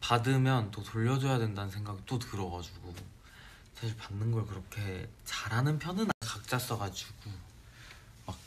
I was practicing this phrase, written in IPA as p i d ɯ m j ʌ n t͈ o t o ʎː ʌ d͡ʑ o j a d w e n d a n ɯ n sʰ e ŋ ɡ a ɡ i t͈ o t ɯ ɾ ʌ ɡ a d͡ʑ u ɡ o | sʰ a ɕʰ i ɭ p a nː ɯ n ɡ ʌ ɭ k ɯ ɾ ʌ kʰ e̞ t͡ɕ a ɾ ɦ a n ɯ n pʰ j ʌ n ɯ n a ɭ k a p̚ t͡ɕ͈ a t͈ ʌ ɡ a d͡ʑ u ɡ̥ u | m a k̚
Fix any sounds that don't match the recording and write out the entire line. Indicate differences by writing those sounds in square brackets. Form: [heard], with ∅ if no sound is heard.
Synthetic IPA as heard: p [a] d ɯ m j ʌ n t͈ o t o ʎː ʌ d͡ʑ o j a d w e n d a n ɯ n sʰ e ŋ ɡ a ɡ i t͈ o t ɯ ɾ ʌ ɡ a d͡ʑ u ɡ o | sʰ a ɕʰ i ɭ p a nː ɯ n ɡ ʌ ɭ k ɯ ɾ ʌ kʰ e̞ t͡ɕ a ɾ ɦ a n ɯ n pʰ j ʌ n ɯ n a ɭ k a [k̚] t͡ɕ͈ a [s͈] ʌ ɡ a d͡ʑ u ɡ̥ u | m a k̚

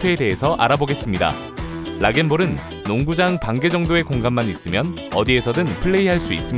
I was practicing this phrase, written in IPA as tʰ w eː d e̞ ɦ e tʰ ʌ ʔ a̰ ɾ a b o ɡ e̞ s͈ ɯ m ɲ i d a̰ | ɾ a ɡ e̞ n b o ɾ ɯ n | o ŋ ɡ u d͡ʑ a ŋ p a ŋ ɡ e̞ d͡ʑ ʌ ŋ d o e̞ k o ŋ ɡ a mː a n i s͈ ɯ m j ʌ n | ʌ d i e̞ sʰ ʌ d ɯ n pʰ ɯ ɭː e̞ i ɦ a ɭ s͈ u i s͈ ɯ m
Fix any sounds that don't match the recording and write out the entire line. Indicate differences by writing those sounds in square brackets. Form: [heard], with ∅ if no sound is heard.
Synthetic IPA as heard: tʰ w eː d e̞ ɦ e [sʰ] ʌ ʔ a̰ ɾ a b o ɡ e̞ s͈ ɯ m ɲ i d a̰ | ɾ a ɡ e̞ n b o ɾ ɯ [nː] | o ŋ ɡ u d͡ʑ a ŋ p a ŋ ɡ e̞ d͡ʑ ʌ ŋ d o e̞ k o ŋ ɡ a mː a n i s͈ ɯ m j ʌ n | ʌ d i e̞ sʰ ʌ d ɯ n pʰ ɯ ɭː e̞ i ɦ a ɭ s͈ u i s͈ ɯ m

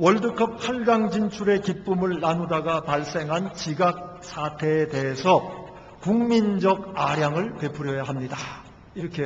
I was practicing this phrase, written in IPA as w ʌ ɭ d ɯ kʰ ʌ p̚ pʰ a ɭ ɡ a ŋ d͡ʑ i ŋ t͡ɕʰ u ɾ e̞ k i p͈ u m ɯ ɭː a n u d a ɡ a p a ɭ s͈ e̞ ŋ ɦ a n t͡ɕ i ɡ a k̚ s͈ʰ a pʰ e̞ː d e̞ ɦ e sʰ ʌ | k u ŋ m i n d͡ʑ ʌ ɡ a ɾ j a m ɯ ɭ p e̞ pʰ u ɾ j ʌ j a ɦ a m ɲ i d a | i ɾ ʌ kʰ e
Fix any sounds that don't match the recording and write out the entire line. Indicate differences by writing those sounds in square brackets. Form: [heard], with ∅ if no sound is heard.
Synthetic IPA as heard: w ʌ ɭ d ɯ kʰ ʌ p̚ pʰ a ɭ ɡ a ŋ d͡ʑ i [n] t͡ɕʰ u ɾ e̞ k i p͈ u m ɯ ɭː a n u d a ɡ a p a ɭ s͈ e̞ ŋ ɦ a n t͡ɕ i ɡ a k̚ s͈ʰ a [tʰ] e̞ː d e̞ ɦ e sʰ ʌ | k u ŋ m i n d͡ʑ ʌ ɡ a ɾ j a [ŋ] ɯ ɭ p e̞ pʰ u ɾ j ʌ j a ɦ a m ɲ i d a | i ɾ ʌ kʰ e

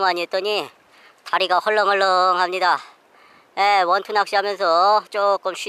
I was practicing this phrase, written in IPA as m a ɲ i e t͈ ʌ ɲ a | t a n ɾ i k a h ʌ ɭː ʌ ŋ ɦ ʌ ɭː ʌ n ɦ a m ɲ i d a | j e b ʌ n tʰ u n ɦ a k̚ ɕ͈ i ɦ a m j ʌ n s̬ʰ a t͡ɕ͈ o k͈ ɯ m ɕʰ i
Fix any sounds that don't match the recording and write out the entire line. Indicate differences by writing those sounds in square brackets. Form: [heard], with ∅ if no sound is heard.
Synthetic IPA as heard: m a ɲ i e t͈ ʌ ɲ [i] | t a [∅] ɾ i [ɡ] a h ʌ ɭː ʌ ŋ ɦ ʌ ɭː ʌ [ŋ] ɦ a m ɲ i d a | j e [w] ʌ n tʰ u n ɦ a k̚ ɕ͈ i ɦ a m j ʌ n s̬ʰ [ʌ] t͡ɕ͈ o k͈ ɯ m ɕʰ i

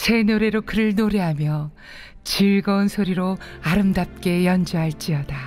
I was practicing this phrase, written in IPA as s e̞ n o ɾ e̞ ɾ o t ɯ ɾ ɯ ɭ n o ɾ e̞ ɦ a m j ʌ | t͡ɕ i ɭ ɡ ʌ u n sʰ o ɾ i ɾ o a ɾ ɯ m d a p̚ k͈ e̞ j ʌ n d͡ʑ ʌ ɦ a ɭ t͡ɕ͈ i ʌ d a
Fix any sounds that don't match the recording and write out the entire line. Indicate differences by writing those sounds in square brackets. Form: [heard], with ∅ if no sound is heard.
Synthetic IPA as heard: s e̞ n o ɾ e̞ ɾ o [k] ɯ ɾ ɯ ɭ n o ɾ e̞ ɦ a m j ʌ | t͡ɕ i ɭ ɡ ʌ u n sʰ o ɾ i ɾ o a ɾ ɯ m d a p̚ k͈ e̞ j ʌ n d͡ʑ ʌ ɦ a ɭ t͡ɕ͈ i ʌ d a

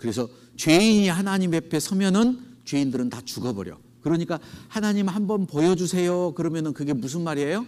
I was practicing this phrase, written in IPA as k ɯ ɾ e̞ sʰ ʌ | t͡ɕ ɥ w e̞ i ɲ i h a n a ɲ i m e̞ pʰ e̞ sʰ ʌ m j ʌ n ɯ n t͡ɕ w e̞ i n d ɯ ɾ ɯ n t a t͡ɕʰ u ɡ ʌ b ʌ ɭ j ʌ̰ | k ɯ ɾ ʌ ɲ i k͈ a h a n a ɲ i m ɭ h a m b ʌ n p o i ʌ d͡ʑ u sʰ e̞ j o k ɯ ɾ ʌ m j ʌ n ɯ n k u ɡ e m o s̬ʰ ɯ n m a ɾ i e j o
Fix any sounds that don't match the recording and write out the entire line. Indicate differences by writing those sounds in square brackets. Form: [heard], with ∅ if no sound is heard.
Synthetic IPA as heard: k ɯ ɾ e̞ sʰ ʌ | t͡ɕ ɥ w e̞ i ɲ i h a n a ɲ i m e̞ pʰ e̞ sʰ ʌ m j ʌ n ɯ n t͡ɕ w e̞ i n d ɯ ɾ ɯ n t a [t͡ɕ] u ɡ ʌ b ʌ [ɾ] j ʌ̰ | k ɯ ɾ ʌ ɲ i k͈ a h a n a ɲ i m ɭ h a m b ʌ n p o [j] ʌ d͡ʑ u sʰ e̞ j o k ɯ ɾ ʌ m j ʌ n ɯ n k [ɯ] ɡ e m [u] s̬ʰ ɯ n m a ɾ i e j o

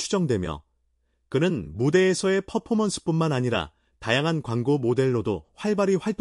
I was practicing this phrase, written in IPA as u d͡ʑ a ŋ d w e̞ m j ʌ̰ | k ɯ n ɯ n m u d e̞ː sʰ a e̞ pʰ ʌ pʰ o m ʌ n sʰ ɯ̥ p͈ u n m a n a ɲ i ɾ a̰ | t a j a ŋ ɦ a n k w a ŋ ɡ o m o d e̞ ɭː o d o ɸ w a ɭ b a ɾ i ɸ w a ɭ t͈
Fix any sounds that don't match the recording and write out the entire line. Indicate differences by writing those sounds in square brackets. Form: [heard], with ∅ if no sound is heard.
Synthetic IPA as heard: u d͡ʑ [ʌ] ŋ d w e̞ m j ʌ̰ | k ɯ n ɯ n m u d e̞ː sʰ [ʌ] e̞ pʰ ʌ pʰ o m ʌ n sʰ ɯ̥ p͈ u n m a n a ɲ i ɾ a̰ | t a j a ŋ ɦ a n k w a ŋ ɡ o m o d e̞ ɭː o d o ɸ w a ɭ b a ɾ i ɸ w a ɭ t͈

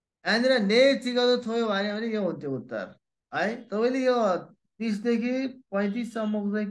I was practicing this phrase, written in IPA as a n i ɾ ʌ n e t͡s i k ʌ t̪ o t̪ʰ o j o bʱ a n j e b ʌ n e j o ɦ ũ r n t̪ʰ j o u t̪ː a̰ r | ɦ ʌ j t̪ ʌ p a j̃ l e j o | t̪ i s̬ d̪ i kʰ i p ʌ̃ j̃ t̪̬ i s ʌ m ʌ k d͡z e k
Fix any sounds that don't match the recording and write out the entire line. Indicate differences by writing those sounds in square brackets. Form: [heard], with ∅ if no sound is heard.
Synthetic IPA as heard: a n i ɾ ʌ n e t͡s i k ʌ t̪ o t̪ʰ o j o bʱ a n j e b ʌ n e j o ɦ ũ [∅] n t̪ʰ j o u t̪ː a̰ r | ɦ ʌ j t̪ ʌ p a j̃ l e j o | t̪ i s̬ d̪ [e] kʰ i p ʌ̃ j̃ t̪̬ i s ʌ m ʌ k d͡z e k

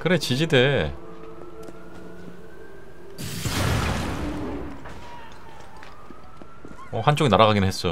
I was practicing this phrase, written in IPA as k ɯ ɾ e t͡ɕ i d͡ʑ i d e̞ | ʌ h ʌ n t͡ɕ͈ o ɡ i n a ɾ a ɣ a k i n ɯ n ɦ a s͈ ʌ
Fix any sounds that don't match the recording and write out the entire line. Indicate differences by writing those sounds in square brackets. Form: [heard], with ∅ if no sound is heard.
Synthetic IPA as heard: k ɯ ɾ e t͡ɕ i d͡ʑ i d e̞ | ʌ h [a] n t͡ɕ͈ o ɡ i n a ɾ a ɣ a [ɡ] i n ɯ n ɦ [e] s͈ ʌ

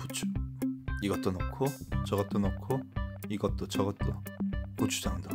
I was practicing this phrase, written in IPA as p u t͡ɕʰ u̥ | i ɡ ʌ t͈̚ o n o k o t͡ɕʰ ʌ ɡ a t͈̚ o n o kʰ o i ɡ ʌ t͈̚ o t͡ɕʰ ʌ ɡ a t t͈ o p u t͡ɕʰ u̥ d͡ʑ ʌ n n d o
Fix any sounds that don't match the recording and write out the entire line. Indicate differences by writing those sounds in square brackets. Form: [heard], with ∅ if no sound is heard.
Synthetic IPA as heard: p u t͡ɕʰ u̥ | i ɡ ʌ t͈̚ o n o [kʰ] o [t͡ɕ] ʌ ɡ [ʌ] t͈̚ o n o kʰ o i ɡ ʌ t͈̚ o [t͡ɕ] ʌ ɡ [ʌ] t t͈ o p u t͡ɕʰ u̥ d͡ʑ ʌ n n d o

